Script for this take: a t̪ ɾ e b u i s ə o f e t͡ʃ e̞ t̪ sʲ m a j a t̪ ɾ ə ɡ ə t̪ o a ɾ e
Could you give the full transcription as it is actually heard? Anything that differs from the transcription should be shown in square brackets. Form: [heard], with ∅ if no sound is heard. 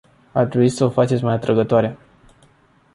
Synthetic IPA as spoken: a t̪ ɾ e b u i s ə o f [a] t͡ʃ e̞ t̪ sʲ m a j a t̪ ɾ ə ɡ ə t̪ o a ɾ e